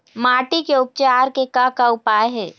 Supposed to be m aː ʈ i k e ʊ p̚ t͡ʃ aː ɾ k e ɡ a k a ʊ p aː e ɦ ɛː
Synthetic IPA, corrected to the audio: m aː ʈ i k e ʊ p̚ t͡ʃ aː ɾ k e k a k a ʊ p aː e ɦ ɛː